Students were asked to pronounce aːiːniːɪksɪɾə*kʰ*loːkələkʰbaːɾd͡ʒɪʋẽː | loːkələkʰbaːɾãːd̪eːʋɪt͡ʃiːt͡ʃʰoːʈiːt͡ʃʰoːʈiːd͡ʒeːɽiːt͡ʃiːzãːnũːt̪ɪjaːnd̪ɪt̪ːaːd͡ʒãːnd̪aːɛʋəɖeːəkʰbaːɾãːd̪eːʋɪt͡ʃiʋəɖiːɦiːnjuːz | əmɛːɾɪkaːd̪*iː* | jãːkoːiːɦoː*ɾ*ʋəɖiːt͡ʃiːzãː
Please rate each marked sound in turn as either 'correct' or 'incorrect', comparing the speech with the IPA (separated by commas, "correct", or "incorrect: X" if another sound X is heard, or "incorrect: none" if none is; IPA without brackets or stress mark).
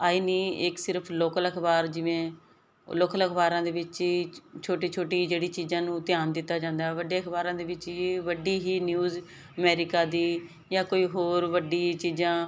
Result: incorrect: pʰ, correct, correct